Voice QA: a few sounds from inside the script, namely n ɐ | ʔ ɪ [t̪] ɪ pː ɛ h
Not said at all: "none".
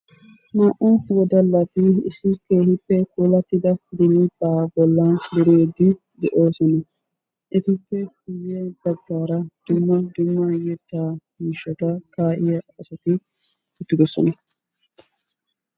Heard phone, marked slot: t̪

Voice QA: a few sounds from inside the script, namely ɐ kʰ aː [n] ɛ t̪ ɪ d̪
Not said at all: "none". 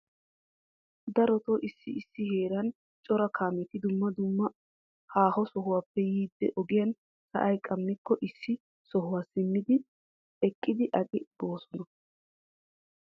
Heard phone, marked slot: m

